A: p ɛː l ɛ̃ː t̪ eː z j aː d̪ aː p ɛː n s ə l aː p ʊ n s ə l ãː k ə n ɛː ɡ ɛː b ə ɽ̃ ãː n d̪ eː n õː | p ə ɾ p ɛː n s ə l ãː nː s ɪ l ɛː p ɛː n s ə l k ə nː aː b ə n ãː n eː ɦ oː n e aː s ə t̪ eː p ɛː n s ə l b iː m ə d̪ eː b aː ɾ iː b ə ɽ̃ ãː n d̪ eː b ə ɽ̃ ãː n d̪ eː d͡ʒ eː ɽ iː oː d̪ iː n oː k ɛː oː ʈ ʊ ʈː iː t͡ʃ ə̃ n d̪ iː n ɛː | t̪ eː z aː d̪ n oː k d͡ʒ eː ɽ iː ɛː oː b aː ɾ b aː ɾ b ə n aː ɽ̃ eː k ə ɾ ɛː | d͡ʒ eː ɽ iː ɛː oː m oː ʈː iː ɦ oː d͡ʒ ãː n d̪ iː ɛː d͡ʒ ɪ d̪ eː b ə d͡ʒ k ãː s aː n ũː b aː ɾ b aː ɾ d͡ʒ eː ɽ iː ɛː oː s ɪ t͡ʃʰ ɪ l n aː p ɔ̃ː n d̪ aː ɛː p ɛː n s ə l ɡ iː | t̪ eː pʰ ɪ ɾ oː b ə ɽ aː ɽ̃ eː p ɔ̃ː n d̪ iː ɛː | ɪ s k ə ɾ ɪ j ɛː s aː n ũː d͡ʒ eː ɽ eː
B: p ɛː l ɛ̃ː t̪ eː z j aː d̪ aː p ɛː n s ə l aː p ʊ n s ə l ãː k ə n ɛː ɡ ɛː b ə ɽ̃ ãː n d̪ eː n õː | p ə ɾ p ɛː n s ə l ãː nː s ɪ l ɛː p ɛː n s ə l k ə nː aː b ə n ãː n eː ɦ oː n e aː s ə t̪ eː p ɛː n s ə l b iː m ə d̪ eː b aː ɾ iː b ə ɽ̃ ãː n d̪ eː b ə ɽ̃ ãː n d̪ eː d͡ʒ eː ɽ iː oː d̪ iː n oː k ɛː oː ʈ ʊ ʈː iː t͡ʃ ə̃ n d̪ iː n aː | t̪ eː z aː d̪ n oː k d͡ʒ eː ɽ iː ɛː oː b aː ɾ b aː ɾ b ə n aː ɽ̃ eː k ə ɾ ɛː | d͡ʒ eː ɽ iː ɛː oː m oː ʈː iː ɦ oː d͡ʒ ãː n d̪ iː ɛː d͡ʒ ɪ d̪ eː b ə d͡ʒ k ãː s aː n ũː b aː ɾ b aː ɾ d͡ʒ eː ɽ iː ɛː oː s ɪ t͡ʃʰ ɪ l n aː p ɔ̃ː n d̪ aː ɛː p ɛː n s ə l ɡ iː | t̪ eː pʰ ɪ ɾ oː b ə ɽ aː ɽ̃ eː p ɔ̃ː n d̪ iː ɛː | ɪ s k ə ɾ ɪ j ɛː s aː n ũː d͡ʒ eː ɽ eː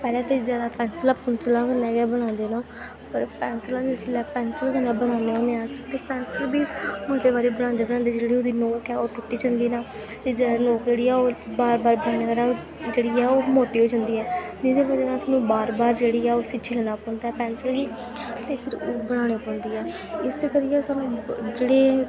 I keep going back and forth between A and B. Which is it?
B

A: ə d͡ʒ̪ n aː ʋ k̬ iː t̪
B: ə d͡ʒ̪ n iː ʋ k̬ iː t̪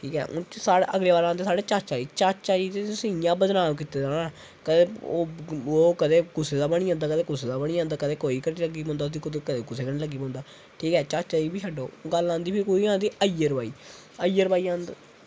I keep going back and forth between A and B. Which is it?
A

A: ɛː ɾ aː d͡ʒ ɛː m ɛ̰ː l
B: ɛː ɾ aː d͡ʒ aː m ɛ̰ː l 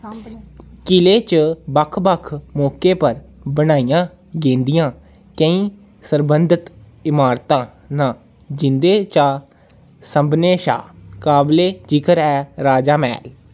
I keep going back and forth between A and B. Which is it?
B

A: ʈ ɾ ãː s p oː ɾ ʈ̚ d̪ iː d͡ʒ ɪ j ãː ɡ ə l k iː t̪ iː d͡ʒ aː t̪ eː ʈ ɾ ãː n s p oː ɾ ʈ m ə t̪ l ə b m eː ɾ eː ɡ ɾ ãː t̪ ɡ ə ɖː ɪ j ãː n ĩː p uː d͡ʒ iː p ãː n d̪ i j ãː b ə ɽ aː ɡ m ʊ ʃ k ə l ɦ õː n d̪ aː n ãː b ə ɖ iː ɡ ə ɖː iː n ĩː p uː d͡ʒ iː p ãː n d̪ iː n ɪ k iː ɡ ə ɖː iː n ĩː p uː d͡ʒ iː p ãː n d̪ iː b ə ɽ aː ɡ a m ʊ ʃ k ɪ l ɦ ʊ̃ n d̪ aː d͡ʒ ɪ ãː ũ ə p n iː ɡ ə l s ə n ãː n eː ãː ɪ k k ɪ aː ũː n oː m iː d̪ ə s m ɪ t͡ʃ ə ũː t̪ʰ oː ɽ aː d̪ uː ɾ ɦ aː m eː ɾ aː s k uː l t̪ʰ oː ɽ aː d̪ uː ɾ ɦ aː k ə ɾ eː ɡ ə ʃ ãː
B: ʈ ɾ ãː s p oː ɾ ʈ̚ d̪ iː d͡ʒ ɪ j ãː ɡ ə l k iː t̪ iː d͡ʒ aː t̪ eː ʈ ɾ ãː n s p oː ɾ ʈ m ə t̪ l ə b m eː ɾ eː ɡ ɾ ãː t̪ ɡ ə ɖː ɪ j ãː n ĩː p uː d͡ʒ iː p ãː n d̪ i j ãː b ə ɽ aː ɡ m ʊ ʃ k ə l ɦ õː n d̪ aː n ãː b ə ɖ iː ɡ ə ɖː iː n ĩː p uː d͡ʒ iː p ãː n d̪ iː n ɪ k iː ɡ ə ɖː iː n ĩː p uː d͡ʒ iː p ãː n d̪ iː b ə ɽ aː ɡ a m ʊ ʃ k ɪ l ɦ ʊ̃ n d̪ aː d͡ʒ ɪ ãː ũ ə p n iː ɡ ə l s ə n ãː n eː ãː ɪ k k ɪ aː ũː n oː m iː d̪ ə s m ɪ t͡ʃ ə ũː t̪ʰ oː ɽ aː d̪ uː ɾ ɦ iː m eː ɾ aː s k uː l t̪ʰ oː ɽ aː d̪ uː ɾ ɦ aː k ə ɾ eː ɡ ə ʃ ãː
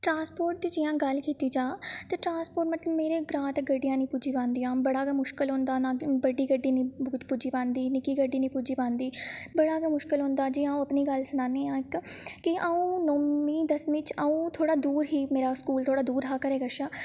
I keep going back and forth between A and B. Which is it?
B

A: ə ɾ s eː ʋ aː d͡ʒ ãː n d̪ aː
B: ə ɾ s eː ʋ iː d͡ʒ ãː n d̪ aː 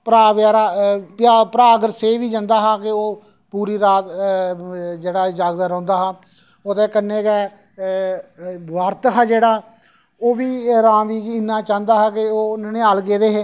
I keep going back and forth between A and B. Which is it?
B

